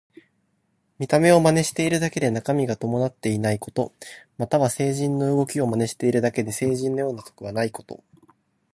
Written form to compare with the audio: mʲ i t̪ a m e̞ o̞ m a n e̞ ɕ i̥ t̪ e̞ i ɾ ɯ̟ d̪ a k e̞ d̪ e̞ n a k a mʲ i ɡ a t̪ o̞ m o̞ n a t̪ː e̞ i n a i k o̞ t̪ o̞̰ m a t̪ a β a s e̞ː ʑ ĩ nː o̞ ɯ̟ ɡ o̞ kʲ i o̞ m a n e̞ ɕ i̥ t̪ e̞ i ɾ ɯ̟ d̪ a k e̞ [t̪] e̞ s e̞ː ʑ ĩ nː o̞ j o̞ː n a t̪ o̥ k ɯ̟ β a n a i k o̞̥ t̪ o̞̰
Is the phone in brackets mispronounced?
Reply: yes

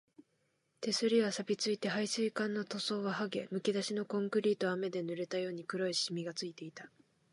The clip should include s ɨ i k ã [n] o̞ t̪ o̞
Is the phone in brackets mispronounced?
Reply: yes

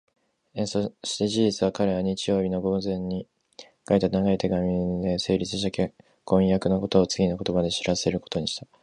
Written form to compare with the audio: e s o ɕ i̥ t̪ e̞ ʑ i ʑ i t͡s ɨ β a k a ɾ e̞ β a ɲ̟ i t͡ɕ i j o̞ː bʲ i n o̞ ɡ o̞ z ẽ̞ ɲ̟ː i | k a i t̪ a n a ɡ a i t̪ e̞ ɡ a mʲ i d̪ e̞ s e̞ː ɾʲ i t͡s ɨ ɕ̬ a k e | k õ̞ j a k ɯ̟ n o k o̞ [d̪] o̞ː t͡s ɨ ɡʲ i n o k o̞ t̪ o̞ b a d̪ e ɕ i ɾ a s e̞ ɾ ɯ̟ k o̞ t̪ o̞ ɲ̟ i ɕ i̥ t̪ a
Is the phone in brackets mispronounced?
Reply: yes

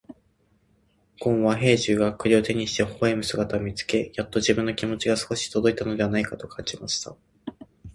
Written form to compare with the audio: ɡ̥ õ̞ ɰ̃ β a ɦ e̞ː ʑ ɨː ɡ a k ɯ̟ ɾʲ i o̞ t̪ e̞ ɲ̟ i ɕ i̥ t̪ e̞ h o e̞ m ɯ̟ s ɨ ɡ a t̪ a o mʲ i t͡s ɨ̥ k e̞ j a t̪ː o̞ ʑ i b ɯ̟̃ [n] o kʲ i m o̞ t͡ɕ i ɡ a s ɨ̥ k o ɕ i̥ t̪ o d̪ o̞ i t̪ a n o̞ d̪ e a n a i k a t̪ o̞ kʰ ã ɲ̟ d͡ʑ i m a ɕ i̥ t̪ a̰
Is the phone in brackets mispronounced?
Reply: yes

